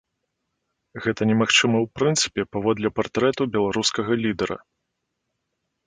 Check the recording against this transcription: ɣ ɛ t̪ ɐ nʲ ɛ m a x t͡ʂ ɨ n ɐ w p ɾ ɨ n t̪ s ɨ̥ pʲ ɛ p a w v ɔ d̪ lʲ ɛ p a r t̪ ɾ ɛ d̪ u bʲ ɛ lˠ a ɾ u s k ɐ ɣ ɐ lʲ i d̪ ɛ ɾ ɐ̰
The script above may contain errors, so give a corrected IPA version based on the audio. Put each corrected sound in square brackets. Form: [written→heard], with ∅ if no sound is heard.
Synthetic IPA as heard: ɣ ɛ t̪ ɐ nʲ ɛ m a x t͡ʂ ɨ [n→m] ɐ w p ɾ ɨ n t̪ s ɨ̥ pʲ ɛ p a [w→∅] v ɔ d̪ lʲ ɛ p a r t̪ ɾ ɛ [d̪→t̪] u bʲ ɛ lˠ a ɾ u s k ɐ ɣ ɐ lʲ i d̪ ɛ ɾ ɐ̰